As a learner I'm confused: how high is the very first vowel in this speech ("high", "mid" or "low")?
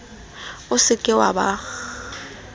high